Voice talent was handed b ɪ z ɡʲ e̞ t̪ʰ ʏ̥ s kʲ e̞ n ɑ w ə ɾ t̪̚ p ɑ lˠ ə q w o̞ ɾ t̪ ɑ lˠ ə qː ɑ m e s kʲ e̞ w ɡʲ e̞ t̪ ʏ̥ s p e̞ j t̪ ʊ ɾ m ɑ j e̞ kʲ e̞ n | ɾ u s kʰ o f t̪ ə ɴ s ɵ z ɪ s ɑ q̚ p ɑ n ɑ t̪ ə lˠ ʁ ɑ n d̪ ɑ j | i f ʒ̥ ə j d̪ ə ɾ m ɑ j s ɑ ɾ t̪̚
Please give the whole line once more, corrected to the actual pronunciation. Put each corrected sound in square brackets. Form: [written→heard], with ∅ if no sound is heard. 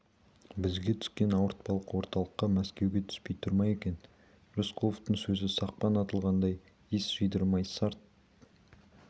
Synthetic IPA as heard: b ɪ z ɡʲ e̞ t̪ʰ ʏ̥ s kʲ e̞ n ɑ w ə ɾ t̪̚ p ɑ lˠ ə q w o̞ ɾ t̪ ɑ lˠ ə qː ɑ m [e→æ] s kʲ e̞ w ɡʲ e̞ [t̪→t̪ʰ] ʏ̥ s p e̞ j [t̪→t̪ʰ] ʊ ɾ m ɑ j e̞ kʲ e̞ n | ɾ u s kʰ o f t̪ ə ɴ s ɵ z ɪ s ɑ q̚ p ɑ n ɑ t̪ ə lˠ ʁ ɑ n d̪ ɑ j | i [f→s] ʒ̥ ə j d̪ ə ɾ m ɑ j s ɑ ɾ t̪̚